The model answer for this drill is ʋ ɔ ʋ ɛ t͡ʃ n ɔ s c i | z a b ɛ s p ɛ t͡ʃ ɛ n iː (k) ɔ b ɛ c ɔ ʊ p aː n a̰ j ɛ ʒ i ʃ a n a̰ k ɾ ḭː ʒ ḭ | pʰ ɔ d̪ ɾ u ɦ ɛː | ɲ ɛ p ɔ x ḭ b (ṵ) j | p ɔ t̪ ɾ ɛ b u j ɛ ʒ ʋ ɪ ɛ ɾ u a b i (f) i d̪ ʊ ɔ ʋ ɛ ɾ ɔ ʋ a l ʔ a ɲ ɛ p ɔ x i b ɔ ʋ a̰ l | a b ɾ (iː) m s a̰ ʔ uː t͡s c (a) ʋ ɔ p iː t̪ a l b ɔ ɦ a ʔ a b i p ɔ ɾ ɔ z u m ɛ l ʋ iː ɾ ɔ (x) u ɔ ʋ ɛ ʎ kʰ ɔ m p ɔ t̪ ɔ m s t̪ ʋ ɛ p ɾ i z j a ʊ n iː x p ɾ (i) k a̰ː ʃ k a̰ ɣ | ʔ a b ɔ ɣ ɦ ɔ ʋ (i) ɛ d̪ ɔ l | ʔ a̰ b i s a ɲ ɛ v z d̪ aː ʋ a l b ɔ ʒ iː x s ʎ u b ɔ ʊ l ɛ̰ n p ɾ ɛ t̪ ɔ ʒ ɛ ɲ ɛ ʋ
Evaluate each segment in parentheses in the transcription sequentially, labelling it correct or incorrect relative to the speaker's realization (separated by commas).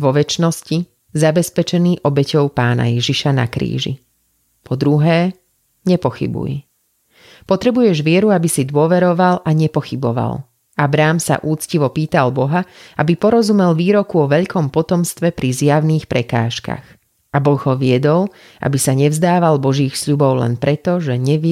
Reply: incorrect, correct, incorrect, incorrect, incorrect, incorrect, incorrect, incorrect